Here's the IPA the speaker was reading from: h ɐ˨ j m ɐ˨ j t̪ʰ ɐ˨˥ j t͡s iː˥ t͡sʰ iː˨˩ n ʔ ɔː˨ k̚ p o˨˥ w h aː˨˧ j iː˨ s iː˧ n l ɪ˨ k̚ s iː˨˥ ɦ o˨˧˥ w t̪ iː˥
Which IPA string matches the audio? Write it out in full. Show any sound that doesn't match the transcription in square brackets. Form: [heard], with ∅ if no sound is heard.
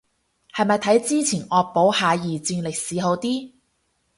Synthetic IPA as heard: h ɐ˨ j m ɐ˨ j t̪ʰ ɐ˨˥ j t͡s iː˥ t͡sʰ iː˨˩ n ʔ ɔː˨ k̚ p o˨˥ w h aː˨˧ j iː˨ [t͡s] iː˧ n l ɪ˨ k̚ s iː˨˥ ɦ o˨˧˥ w t̪ iː˥